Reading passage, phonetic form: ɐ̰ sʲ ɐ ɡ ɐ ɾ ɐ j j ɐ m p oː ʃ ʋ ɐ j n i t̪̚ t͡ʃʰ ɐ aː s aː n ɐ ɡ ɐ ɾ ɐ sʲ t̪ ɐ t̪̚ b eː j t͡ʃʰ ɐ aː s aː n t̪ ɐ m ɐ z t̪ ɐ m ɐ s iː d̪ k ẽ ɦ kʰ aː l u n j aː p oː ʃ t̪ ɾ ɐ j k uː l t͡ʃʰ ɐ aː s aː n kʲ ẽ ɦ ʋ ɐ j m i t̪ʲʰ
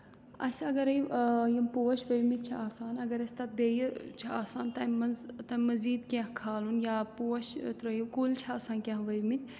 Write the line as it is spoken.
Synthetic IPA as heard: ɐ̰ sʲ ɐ ɡ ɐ ɾ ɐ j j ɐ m p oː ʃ ʋ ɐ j m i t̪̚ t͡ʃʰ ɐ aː s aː n ɐ ɡ ɐ ɾ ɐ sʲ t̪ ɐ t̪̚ b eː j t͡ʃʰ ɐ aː s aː n t̪ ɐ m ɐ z t̪ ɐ m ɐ z iː d̪ k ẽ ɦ kʰ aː l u n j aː p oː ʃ t̪ ɾ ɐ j k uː l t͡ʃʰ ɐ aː s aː n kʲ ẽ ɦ ʋ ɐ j m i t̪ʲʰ